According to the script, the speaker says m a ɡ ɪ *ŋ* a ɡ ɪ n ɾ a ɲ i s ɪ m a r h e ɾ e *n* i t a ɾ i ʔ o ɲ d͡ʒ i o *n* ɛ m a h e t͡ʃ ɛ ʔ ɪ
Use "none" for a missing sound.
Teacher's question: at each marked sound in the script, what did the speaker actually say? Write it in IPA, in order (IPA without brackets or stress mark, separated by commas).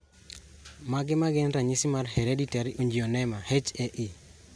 m, d, n